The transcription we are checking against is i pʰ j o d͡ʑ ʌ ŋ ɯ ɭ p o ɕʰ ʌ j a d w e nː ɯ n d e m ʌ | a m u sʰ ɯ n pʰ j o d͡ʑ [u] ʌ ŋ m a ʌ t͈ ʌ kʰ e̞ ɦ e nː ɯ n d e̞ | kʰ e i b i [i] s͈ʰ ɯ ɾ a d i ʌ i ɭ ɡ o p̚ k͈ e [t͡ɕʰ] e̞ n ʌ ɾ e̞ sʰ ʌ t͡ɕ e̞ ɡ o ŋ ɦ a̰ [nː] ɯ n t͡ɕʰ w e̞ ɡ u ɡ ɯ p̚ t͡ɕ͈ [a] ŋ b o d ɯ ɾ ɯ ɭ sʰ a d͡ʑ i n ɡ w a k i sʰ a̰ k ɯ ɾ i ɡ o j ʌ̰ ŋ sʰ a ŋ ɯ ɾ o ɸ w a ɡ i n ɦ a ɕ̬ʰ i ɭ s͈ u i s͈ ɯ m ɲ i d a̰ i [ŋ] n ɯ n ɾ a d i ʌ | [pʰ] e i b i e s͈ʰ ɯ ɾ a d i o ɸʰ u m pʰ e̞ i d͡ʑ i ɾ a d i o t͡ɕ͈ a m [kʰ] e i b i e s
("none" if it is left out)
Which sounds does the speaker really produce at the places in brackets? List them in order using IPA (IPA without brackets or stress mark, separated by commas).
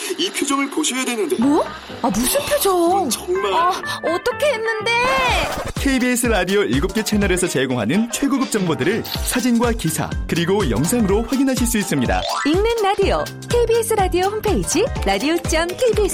o, e, t͡ɕʰ, n, ʌ, ŋ, kʰ, kʰ